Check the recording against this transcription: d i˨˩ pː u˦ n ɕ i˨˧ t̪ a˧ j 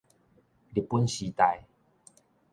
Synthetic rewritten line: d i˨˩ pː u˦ n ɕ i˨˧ t̪ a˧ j